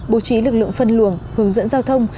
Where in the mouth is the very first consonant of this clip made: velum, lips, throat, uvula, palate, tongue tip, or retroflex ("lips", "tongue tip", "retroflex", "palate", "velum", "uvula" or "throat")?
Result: lips